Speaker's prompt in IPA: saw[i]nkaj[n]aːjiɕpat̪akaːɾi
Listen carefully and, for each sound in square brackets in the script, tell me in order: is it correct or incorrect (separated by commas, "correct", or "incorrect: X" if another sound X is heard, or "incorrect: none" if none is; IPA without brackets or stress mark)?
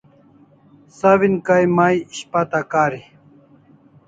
correct, incorrect: m